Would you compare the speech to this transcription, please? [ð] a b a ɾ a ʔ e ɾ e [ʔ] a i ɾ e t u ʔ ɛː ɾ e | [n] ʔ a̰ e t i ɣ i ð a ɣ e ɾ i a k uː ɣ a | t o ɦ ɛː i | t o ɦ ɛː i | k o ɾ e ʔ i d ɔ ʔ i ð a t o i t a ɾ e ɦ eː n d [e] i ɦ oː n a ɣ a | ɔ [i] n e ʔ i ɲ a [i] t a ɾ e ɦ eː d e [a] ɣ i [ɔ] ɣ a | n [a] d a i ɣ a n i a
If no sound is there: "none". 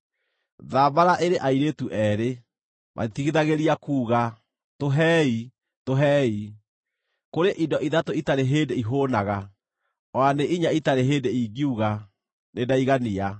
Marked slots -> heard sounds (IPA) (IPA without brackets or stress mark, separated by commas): ð, ʔ, m, e, a, i, i, u, e